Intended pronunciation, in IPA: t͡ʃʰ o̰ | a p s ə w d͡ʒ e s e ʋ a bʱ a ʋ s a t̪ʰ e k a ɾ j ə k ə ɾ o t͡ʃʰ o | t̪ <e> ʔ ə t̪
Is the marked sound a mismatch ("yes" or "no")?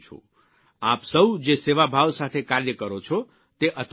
no